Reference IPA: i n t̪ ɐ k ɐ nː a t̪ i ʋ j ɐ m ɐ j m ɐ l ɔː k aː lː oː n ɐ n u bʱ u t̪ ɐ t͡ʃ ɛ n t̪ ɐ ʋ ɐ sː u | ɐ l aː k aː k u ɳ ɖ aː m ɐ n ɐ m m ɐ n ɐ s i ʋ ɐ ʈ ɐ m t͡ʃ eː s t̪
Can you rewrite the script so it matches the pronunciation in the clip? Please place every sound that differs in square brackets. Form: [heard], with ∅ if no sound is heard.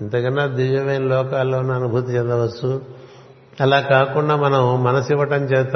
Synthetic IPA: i n t̪ ɐ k ɐ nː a [d̪] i ʋ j ɐ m ɐ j [n] ɐ l ɔː k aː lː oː n ɐ n u bʱ u t̪ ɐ t͡ʃ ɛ n [d̪] ɐ ʋ ɐ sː u | ɐ l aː k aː k u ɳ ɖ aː m ɐ n ɐ m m ɐ n ɐ s i ʋ ɐ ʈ ɐ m t͡ʃ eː s t̪